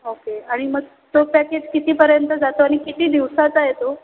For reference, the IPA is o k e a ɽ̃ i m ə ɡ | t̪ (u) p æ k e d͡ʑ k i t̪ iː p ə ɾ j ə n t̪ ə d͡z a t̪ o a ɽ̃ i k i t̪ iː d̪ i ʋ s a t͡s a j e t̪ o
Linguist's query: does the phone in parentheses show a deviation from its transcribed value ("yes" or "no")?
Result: yes